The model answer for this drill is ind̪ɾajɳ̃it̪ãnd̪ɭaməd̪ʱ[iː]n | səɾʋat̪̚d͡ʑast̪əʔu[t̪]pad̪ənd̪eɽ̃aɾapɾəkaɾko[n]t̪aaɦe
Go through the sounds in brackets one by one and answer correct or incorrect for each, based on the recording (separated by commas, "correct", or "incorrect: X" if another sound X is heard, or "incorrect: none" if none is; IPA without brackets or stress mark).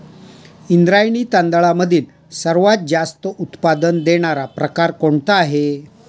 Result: correct, correct, incorrect: ɳ